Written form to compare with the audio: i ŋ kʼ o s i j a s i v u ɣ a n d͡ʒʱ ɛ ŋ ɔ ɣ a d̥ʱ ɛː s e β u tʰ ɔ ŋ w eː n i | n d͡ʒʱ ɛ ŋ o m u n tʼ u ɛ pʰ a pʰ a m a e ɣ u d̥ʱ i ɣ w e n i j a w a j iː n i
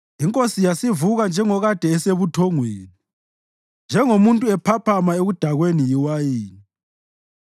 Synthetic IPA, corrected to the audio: i ŋ kʼ o s i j a s i v u ɣ a n d͡ʒʱ ɛ ŋ ɔ ɣ a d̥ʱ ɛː s e β u tʰ ɔ ŋ w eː n i | n d͡ʒʱ ɛ ŋ o m u n tʼ u ɛ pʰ a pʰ a m a e ɣ u d̥ʱ a ɣ w e n i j i w a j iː n i